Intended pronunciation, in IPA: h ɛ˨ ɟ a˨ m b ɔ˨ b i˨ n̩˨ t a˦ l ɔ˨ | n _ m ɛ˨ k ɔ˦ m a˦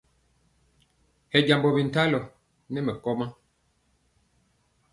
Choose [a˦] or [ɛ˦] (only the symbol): ɛ˦